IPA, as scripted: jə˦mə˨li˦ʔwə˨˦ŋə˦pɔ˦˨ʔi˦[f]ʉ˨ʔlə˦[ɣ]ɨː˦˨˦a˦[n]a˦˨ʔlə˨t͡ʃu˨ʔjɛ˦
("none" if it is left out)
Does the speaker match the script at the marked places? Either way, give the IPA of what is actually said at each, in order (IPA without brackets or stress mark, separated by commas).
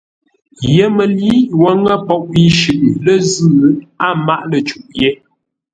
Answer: ʃ, z, m